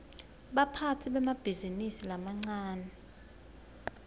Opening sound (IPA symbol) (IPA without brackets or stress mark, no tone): ɓ